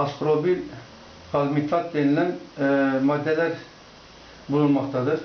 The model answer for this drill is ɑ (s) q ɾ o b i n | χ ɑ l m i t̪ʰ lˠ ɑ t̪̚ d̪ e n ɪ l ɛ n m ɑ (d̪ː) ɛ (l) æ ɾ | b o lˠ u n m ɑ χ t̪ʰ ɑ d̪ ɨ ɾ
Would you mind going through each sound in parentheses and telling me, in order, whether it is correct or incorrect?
correct, correct, correct

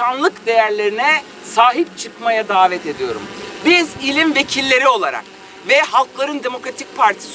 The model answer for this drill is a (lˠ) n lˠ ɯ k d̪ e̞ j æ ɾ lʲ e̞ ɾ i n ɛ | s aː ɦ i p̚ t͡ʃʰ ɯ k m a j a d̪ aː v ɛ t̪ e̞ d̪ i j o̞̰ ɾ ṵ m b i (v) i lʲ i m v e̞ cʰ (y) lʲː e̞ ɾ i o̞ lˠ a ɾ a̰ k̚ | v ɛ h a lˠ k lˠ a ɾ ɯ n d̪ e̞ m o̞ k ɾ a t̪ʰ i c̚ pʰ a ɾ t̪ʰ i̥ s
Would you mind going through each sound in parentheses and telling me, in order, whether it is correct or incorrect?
incorrect, incorrect, incorrect

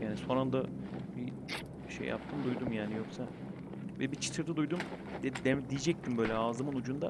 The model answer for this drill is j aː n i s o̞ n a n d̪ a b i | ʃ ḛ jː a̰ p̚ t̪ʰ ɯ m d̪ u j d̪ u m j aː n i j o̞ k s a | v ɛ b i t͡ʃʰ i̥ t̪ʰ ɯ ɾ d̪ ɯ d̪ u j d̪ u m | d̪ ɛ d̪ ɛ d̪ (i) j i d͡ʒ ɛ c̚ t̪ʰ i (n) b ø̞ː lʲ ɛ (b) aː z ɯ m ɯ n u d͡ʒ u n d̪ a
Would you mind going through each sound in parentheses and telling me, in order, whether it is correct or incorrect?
correct, incorrect, incorrect

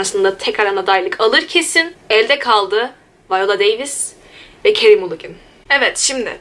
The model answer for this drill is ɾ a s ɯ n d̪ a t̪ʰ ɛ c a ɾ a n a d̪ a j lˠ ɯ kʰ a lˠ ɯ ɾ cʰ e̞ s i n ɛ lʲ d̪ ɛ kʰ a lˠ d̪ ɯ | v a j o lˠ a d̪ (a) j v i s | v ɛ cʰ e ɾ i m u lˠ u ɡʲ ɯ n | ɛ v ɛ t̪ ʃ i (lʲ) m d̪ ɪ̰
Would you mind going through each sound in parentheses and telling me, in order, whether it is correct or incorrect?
incorrect, incorrect

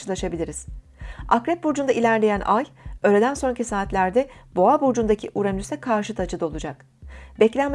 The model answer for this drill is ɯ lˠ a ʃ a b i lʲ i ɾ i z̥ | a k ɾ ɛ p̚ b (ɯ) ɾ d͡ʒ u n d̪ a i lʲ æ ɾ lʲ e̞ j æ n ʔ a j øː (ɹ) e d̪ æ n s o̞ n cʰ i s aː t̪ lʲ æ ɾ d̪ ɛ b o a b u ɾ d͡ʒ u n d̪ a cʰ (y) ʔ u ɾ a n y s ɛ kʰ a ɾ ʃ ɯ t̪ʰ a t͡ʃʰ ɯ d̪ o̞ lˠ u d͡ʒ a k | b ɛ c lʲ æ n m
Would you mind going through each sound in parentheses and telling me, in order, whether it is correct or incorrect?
incorrect, incorrect, incorrect

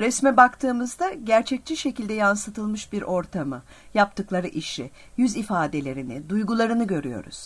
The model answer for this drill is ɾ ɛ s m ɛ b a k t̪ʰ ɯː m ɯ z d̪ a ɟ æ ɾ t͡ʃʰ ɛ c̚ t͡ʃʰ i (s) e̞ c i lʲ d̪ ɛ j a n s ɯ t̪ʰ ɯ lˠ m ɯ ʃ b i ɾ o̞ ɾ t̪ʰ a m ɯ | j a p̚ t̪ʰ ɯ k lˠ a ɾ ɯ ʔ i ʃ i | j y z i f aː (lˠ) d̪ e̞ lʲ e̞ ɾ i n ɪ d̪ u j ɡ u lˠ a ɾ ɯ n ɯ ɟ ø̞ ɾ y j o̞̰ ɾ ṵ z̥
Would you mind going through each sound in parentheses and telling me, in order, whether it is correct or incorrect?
incorrect, incorrect

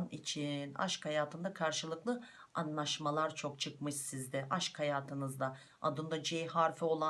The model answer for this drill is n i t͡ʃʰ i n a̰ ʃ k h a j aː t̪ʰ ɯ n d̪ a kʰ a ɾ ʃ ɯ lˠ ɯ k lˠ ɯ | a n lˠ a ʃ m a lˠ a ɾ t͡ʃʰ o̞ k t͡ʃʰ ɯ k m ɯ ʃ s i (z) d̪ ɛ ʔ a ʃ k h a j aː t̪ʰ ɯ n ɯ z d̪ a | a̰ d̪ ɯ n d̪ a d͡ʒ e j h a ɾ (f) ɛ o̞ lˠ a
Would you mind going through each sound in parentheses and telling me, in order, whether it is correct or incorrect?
correct, correct

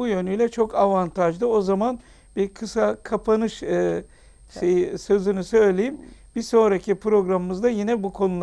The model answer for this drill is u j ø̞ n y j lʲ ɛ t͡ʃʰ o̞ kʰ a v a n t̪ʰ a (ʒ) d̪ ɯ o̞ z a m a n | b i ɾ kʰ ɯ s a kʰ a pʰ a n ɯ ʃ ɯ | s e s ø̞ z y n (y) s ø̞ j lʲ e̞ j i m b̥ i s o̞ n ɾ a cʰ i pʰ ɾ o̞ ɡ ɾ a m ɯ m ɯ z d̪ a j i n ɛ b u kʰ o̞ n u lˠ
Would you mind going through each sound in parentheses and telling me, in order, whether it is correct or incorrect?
correct, correct

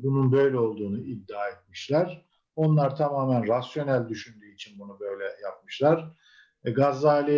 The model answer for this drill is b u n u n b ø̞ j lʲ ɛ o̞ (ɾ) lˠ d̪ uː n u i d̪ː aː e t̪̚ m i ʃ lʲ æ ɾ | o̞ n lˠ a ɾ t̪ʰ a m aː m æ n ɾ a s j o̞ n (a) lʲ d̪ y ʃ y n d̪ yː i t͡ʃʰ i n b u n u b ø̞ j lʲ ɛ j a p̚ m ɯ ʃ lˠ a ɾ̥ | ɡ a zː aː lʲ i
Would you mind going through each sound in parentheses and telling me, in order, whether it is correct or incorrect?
incorrect, incorrect

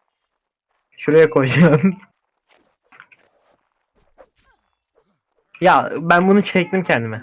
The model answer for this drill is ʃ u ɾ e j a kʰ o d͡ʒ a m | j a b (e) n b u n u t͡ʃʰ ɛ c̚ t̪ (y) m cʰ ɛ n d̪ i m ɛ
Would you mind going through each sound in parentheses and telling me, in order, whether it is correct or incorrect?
incorrect, incorrect

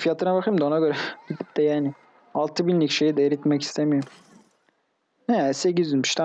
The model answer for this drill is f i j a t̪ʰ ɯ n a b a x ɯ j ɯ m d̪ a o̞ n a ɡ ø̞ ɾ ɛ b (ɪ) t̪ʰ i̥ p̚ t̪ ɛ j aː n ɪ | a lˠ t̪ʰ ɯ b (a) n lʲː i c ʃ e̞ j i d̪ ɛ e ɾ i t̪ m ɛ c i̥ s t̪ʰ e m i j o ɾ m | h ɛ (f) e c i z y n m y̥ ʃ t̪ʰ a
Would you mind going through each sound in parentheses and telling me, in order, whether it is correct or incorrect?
incorrect, incorrect, incorrect

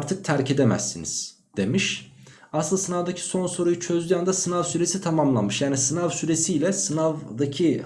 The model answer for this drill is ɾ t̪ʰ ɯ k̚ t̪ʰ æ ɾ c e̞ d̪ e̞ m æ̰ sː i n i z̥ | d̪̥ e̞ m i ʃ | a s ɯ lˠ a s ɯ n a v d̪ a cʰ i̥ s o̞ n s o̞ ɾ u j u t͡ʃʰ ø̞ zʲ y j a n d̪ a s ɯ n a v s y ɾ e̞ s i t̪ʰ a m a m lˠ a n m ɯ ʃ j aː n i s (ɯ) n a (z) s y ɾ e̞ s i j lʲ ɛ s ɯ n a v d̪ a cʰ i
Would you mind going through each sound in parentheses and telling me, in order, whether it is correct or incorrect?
correct, incorrect

